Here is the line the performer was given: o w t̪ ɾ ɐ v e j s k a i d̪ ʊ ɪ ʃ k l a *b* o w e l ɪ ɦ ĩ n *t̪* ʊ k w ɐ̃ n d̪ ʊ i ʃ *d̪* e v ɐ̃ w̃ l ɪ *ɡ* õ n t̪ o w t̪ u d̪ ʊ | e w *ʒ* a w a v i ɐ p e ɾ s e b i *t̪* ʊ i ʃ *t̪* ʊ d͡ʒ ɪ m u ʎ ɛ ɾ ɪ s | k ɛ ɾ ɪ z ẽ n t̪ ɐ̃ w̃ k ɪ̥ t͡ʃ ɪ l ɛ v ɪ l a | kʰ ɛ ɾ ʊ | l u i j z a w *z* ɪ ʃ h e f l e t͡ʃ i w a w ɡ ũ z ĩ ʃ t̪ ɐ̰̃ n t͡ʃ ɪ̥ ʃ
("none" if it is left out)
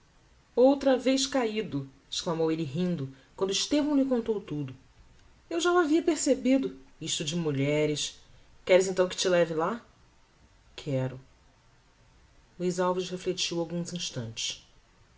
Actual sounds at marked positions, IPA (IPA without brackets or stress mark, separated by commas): m, d̪, t̪, k, ʒ, d̪, t̪, v